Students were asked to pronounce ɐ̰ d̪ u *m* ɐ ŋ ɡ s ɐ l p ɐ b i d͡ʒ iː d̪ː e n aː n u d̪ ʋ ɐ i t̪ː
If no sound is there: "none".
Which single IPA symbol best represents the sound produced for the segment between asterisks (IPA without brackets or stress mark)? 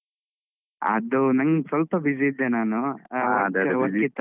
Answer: n